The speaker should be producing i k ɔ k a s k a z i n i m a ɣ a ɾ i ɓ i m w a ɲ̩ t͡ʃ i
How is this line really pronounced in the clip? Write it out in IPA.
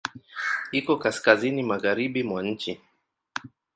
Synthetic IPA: i k ɔ k a s k a z i n i m a ɣ a ɾ i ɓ i m w a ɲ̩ t͡ʃ i